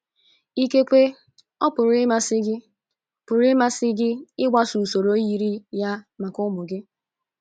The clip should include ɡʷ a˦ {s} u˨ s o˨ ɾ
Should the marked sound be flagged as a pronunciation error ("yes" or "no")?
no